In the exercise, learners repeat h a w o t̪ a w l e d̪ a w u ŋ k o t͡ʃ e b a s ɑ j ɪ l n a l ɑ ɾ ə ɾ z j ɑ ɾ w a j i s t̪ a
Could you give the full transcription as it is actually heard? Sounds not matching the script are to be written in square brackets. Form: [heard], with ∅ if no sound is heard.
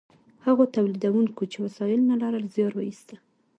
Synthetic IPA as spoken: h a [ɣ] o t̪ a w l [i] d̪ a w u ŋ k o t͡ʃ e [w] a s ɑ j ɪ l n a l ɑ ɾ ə [l] z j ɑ ɾ w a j i s t̪ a